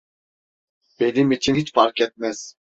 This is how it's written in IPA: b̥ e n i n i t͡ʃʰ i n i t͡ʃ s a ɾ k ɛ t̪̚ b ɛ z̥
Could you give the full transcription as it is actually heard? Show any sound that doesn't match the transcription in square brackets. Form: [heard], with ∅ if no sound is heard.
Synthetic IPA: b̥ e n i [m] i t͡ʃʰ i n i t͡ʃ [f] a ɾ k ɛ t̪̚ [m] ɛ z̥